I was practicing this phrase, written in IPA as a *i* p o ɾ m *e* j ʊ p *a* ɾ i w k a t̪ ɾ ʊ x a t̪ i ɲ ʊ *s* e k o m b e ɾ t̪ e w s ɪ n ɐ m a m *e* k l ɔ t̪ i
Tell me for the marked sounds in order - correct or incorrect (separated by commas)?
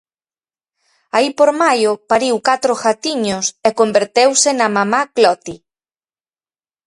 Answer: correct, incorrect, correct, correct, incorrect